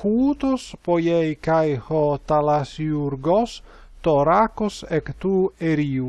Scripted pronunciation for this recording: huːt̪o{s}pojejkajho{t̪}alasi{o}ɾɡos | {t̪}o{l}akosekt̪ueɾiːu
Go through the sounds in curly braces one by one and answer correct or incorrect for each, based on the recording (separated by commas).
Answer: correct, correct, incorrect, correct, incorrect